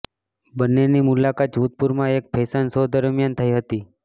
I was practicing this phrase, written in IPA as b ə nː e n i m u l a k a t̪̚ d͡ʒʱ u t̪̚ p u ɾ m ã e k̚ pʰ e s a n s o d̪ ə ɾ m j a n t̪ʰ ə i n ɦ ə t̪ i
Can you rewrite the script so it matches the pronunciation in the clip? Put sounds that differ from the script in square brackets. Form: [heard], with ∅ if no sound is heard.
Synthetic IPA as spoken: b ə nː e n i m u l a k a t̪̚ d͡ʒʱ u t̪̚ p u ɾ m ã e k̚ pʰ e s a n s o d̪ ə ɾ m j a n t̪ʰ ə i [∅] ɦ ə t̪ i